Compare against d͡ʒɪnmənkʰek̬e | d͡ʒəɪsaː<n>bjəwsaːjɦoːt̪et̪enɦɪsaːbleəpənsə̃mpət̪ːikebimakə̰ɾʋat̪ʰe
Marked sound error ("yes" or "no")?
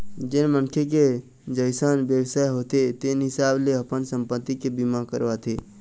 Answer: no